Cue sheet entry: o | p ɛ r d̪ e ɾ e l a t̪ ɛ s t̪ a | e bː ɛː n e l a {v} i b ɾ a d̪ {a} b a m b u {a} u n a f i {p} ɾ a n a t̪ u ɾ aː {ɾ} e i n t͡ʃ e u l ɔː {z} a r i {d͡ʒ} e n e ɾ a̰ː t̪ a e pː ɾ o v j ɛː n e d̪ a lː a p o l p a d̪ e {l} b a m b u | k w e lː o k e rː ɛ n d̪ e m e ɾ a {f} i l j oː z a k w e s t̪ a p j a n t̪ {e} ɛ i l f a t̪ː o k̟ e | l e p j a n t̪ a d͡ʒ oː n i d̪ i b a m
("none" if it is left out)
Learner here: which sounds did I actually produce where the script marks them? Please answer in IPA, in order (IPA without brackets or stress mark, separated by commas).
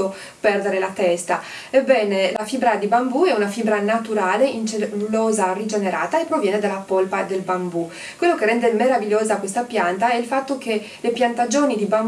f, i, ɛ, b, l, z, d͡ʒ, l, v, a